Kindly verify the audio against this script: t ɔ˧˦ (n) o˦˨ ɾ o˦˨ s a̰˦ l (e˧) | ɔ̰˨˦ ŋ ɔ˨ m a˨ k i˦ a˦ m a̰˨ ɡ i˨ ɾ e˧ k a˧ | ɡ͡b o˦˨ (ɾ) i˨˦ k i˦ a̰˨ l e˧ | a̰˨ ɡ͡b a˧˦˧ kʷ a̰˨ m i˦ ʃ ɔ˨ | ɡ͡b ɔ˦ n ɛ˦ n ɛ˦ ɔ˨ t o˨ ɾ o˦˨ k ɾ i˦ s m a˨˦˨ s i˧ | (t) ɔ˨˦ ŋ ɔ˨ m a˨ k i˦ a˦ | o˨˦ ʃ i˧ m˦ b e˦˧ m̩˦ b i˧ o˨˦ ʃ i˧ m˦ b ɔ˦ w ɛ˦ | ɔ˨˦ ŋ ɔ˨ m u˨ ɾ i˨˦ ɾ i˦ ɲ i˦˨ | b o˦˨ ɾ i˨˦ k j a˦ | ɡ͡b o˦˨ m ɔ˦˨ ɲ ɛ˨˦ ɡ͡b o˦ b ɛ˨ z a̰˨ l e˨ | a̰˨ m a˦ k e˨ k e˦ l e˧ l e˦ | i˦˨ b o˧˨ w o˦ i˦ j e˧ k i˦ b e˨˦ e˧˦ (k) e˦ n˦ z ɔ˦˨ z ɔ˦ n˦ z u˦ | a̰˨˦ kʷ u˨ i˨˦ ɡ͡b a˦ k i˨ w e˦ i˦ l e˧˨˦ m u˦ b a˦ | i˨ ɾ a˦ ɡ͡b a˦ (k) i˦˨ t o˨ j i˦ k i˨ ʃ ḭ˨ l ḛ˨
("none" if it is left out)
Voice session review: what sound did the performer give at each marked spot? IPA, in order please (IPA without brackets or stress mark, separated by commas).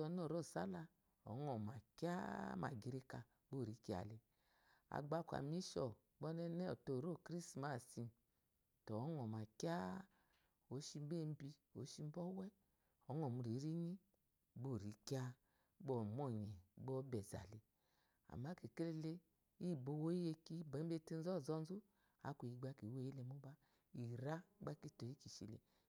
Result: n, a˧, ɾ, t, t, k